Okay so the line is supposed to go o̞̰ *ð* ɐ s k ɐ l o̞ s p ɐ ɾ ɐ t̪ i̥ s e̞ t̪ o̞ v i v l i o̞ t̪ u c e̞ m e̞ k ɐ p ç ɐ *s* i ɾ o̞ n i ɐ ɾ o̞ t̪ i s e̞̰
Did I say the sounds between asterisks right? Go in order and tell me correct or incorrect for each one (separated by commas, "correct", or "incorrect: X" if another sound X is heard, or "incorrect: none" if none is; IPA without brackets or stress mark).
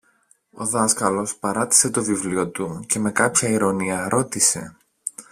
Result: correct, incorrect: none